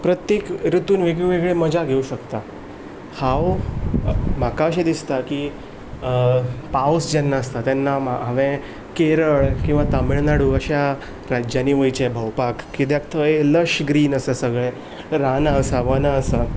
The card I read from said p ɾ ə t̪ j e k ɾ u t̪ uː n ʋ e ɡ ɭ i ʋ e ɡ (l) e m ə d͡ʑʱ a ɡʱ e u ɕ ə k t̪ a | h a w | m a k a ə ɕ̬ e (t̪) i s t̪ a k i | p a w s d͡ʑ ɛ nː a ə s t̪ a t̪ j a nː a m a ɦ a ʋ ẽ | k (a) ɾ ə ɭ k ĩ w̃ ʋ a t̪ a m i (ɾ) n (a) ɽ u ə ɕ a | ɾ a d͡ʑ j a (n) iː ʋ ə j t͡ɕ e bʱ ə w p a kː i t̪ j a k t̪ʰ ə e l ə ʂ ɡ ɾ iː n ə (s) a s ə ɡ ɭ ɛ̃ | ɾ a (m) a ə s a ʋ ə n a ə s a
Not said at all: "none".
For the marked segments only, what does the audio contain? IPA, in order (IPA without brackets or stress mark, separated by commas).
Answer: ɭ, d̪, e, ɭ, a, n, s, n